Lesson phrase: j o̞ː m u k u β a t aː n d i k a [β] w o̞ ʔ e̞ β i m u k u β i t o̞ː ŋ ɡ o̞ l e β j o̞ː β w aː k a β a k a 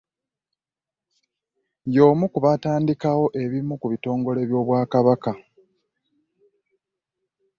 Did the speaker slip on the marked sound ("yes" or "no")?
yes